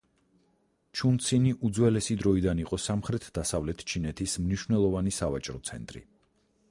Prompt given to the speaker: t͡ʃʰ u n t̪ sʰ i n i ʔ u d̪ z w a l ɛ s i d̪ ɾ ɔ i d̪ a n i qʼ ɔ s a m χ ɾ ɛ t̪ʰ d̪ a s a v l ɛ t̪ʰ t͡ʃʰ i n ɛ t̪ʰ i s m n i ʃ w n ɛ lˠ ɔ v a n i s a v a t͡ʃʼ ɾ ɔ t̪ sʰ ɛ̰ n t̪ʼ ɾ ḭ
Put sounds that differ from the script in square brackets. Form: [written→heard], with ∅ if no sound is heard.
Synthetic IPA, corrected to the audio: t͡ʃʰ u n t̪ sʰ i n i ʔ u d̪ z w [a→ɛ] l ɛ s i d̪ ɾ ɔ i d̪ a n i qʼ ɔ s a m χ ɾ ɛ t̪ʰ d̪ a s a v l ɛ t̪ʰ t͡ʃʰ i n ɛ t̪ʰ i s m n i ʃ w n ɛ lˠ ɔ v a n i s a v a t͡ʃʼ ɾ ɔ t̪ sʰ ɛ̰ n t̪ʼ ɾ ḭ

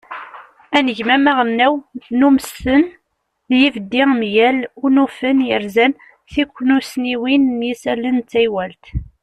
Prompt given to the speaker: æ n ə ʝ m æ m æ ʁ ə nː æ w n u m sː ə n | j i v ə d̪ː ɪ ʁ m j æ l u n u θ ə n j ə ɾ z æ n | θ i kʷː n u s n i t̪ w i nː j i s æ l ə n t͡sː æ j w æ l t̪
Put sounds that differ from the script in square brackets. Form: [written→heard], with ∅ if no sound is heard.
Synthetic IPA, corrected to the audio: æ n ə ʝ m æ m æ ʁ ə nː æ w n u m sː ə n | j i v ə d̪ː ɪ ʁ m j æ l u n u [θ→f] ə n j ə ɾ z æ n | θ i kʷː n u s n i [t̪→∅] w i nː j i s æ l ə n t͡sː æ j w æ l t̪

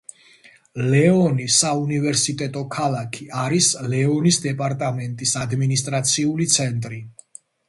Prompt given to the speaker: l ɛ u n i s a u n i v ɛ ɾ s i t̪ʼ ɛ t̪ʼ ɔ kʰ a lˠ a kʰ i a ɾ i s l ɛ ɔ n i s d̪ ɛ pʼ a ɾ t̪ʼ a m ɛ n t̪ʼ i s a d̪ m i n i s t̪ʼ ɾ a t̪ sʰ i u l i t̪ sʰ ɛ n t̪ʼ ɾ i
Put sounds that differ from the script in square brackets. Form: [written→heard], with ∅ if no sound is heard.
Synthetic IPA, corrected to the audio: l ɛ [u→ɔ] n i s a u n i v ɛ ɾ s i t̪ʼ ɛ t̪ʼ ɔ kʰ a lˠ a kʰ i a ɾ i s l ɛ ɔ n i s d̪ ɛ pʼ a ɾ t̪ʼ a m ɛ n t̪ʼ i s a d̪ m i n i s t̪ʼ ɾ a t̪ sʰ i u l i t̪ sʰ ɛ n t̪ʼ ɾ i

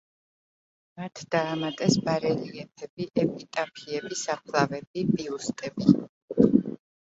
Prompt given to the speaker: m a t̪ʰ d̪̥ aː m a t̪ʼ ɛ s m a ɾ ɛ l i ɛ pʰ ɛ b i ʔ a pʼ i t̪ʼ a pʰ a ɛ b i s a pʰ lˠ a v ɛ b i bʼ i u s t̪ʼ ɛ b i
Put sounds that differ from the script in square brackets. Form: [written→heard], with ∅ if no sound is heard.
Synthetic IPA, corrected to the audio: m a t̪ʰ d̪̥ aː m a t̪ʼ ɛ s [m→b] a ɾ ɛ l i ɛ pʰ ɛ b i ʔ [a→ɛ] pʼ i t̪ʼ a pʰ [a→i] ɛ b i s a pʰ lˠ a v ɛ b i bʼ i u s t̪ʼ ɛ b i

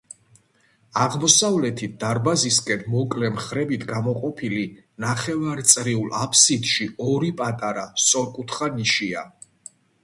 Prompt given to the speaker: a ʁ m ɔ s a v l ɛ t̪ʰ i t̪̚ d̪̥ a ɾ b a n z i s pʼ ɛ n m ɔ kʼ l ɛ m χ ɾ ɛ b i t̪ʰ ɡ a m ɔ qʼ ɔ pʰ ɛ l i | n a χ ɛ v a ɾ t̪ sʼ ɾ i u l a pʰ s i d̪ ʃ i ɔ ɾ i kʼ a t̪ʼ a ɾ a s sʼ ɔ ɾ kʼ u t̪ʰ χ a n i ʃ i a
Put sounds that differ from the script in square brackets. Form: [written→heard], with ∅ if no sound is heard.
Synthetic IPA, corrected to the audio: a ʁ m ɔ s a v l ɛ t̪ʰ i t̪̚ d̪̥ a ɾ b a [n→∅] z i s [pʼ→kʼ] ɛ n m ɔ kʼ l ɛ m χ ɾ ɛ b i t̪ʰ ɡ a m ɔ qʼ ɔ pʰ [ɛ→i] l i | n a χ ɛ v a ɾ t̪ sʼ ɾ i u l a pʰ s i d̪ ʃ i ɔ ɾ i [kʼ→pʼ] a t̪ʼ a ɾ a s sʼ ɔ ɾ kʼ u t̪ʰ χ a n i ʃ i a

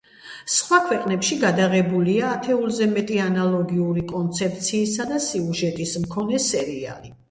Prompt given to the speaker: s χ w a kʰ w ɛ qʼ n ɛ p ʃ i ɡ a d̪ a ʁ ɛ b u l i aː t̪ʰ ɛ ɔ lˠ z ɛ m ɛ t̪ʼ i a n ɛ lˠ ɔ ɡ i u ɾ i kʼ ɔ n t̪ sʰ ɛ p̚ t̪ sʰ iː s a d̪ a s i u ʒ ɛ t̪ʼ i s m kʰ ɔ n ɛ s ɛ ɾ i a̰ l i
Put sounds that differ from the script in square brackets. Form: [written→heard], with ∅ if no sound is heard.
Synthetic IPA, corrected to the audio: s χ w a kʰ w ɛ qʼ n ɛ p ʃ i ɡ a d̪ a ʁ ɛ b u l i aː t̪ʰ ɛ [ɔ→u] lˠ z ɛ m ɛ t̪ʼ i a n [ɛ→a] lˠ ɔ ɡ i u ɾ i kʼ ɔ n t̪ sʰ ɛ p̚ t̪ sʰ iː s a d̪ a s i u ʒ ɛ t̪ʼ i s m kʰ ɔ n ɛ s ɛ ɾ i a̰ l i

